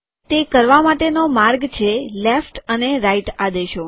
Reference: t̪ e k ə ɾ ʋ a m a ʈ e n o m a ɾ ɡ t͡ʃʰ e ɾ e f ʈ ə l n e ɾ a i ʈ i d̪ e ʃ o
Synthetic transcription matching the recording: t̪ e k ə ɾ ʋ a m a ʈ e n o m a ɾ ɡ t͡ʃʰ e l e f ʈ ə n e ɾ a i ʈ a d̪ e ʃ o